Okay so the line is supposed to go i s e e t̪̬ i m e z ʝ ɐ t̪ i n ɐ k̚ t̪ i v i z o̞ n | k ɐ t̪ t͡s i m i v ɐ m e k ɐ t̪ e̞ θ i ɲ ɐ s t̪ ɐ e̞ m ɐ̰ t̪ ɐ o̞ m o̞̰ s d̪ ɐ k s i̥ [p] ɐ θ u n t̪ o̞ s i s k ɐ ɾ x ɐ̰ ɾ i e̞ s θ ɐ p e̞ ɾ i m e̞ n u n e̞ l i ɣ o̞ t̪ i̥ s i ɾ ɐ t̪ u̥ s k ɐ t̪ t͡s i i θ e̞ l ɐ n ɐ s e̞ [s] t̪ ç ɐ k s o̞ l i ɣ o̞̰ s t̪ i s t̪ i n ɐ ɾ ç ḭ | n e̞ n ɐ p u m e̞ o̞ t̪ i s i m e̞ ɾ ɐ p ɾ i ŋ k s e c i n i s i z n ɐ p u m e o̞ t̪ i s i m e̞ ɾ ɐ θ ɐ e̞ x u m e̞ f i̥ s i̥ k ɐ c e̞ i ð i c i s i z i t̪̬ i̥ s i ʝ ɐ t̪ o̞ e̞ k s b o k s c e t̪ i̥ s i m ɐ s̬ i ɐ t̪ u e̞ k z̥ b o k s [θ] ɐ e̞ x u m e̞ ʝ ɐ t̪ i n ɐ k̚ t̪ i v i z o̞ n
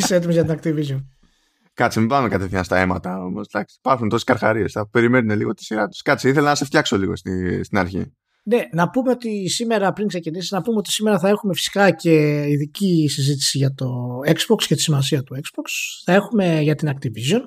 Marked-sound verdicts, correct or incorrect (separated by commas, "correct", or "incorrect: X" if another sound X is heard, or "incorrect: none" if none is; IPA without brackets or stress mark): correct, incorrect: f, correct